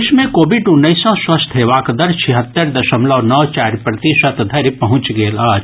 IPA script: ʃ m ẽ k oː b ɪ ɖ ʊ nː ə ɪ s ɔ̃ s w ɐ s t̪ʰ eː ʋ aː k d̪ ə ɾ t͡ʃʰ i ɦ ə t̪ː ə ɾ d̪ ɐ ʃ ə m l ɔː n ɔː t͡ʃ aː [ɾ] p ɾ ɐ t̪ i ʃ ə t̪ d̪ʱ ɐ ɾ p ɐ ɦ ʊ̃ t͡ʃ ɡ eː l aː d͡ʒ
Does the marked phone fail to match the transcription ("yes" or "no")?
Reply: no